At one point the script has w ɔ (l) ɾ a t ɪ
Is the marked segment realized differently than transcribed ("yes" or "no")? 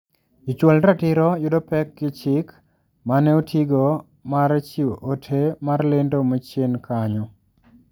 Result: no